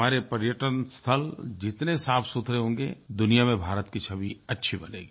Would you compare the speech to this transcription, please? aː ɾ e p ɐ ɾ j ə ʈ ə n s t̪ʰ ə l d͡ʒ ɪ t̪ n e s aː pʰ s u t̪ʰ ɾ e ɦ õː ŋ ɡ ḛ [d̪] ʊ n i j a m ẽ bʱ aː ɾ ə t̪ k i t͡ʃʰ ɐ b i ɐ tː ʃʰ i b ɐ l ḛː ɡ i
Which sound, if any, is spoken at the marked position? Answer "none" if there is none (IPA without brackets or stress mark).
d̪